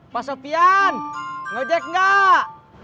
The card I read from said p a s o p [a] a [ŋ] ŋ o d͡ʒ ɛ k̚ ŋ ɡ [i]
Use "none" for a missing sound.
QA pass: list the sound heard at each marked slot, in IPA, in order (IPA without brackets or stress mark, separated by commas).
i, n, a